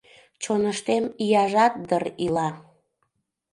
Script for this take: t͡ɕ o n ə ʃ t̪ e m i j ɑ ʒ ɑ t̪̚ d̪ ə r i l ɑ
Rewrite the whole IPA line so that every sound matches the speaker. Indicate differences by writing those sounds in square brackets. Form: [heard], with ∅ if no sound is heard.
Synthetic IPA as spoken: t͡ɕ o n ə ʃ t̪ e m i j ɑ ʒ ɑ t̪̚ d̪ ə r i l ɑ